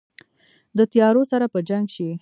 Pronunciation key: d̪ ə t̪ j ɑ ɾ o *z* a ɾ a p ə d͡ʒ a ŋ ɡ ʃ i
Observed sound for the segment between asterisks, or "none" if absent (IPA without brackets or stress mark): s